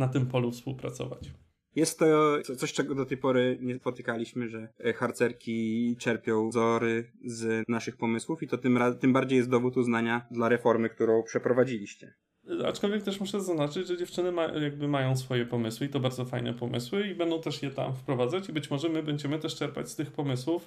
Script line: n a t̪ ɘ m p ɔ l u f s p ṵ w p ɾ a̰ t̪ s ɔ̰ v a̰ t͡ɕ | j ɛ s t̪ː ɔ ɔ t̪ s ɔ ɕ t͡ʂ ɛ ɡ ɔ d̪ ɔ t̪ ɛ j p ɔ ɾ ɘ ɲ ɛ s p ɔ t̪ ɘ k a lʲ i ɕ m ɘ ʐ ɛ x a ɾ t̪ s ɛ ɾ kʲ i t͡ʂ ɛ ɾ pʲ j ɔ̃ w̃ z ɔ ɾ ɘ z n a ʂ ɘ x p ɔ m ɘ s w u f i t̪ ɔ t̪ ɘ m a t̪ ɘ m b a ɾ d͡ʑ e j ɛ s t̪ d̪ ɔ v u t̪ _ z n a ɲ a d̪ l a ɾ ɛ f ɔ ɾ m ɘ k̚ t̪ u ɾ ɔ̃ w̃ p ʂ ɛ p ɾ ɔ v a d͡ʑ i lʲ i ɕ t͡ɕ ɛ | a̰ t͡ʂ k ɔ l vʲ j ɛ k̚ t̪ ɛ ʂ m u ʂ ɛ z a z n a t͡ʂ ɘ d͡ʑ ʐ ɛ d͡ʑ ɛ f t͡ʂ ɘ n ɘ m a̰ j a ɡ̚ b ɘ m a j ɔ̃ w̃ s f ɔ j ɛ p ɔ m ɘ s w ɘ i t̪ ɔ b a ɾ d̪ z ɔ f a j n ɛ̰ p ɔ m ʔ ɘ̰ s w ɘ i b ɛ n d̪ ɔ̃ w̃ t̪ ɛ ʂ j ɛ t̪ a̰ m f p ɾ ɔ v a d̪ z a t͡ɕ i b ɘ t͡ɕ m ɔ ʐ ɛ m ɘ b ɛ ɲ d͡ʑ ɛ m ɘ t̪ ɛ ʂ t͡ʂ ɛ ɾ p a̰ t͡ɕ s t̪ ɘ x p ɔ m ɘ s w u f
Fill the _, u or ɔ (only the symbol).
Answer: u